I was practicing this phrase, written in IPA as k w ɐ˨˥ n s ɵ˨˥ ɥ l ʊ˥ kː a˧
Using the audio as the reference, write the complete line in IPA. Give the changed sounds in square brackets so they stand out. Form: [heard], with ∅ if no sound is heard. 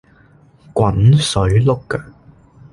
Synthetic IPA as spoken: k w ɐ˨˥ n s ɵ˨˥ ɥ l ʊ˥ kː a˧